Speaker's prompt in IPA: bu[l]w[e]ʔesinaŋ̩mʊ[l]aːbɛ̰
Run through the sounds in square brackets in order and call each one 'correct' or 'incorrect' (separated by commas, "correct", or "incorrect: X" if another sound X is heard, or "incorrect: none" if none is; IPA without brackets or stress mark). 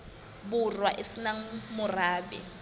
incorrect: r, incorrect: a, incorrect: r